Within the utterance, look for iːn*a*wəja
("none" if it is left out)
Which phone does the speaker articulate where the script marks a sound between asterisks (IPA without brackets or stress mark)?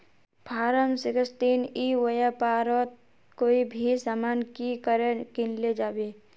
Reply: i